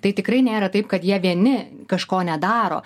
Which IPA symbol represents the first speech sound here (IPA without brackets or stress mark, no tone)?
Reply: t̪